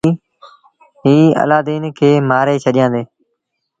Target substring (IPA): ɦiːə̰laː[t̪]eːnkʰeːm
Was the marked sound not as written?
yes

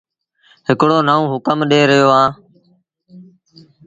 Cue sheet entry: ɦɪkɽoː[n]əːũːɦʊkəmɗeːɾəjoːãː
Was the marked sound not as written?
no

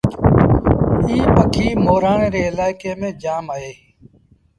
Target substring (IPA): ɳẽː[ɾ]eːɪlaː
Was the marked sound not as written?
no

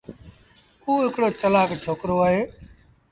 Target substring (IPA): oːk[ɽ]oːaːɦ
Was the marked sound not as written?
yes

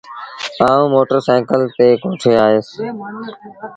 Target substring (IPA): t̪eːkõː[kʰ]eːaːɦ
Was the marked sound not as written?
yes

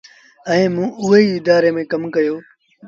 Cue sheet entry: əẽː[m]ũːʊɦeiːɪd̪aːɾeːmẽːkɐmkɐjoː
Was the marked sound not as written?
no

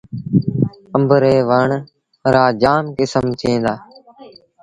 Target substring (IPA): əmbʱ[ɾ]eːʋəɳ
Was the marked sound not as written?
no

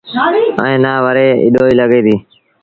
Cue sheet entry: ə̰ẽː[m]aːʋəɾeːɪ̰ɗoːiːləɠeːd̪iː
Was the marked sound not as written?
yes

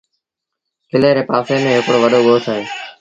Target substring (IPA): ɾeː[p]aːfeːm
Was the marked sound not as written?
no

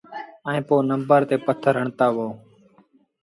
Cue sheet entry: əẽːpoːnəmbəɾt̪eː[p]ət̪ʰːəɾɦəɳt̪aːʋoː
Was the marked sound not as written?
no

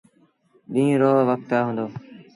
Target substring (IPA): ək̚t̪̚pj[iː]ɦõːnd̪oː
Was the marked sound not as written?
yes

